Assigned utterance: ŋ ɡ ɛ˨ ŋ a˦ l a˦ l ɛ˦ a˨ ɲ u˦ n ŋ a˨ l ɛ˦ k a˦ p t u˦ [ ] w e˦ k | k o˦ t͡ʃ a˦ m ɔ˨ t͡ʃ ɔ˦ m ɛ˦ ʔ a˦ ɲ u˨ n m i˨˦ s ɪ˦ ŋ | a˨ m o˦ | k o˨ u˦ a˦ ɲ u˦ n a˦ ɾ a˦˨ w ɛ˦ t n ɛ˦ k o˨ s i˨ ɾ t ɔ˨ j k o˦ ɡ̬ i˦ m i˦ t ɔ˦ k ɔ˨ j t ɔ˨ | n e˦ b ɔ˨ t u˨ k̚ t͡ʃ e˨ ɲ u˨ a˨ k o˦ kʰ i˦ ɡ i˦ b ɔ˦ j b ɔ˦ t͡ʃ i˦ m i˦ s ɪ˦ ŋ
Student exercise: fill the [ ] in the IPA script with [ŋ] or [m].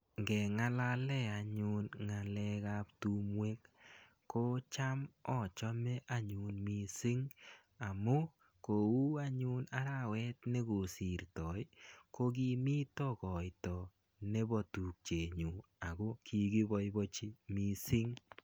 m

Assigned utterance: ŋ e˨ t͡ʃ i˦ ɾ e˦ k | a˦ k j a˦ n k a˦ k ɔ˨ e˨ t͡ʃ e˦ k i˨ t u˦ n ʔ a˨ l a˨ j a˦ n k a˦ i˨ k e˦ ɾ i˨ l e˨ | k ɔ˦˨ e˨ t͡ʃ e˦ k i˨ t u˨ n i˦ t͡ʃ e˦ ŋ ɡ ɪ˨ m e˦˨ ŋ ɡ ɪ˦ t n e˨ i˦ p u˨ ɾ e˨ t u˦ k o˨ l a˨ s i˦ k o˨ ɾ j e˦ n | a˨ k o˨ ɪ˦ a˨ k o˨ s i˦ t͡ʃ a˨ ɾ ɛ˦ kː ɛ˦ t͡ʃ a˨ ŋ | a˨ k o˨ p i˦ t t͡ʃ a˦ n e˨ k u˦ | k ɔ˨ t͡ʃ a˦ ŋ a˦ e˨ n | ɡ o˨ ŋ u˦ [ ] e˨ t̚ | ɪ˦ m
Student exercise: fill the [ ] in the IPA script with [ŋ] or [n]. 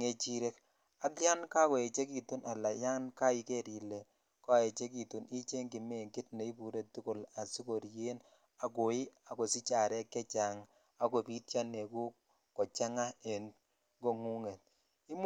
ŋ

